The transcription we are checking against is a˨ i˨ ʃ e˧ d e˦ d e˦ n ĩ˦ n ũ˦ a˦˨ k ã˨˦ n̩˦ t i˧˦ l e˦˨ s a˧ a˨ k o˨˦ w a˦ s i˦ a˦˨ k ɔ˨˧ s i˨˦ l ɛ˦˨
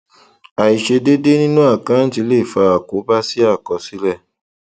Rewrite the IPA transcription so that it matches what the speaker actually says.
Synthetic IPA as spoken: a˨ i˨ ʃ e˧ d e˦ d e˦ n ĩ˦ n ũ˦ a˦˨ k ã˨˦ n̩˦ t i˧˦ l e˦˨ f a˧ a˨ k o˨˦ b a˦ s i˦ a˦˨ k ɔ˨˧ s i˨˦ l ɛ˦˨